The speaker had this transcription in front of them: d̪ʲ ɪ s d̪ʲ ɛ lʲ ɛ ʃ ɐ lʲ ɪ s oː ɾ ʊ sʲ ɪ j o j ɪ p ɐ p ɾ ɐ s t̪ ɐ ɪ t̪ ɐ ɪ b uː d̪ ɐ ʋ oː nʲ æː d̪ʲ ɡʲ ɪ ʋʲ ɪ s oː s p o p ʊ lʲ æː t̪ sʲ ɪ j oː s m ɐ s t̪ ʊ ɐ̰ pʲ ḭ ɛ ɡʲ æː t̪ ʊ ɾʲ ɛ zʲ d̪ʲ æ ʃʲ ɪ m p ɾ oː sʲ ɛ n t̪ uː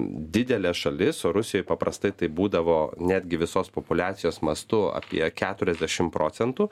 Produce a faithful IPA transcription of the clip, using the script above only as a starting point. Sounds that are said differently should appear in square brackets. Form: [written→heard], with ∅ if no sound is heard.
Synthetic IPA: d̪ʲ ɪ [s→∅] d̪ʲ ɛ lʲ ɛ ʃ ɐ lʲ ɪ s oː ɾ ʊ sʲ ɪ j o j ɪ p ɐ p ɾ ɐ s t̪ ɐ ɪ t̪ ɐ ɪ b uː d̪ ɐ ʋ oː nʲ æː d̪ʲ ɡʲ ɪ ʋʲ ɪ s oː s p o p ʊ lʲ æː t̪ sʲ ɪ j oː s m ɐ s t̪ ʊ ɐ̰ pʲ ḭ ɛ [ɡʲ→kʲ] æː t̪ ʊ ɾʲ ɛ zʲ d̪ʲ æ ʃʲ ɪ m p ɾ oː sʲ ɛ n t̪ uː